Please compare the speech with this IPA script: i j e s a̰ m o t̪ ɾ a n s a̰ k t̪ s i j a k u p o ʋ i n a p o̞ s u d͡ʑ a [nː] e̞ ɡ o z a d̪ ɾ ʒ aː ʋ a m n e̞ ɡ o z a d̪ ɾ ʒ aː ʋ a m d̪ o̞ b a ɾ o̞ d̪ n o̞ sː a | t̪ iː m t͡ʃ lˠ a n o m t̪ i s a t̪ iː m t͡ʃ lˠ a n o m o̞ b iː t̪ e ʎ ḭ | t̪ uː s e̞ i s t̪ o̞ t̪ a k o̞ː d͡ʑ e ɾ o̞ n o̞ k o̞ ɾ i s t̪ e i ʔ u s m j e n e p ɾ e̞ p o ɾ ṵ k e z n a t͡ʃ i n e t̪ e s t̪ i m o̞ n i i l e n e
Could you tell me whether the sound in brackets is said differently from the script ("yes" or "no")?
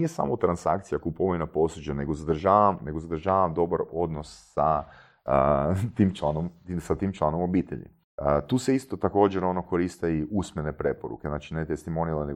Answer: yes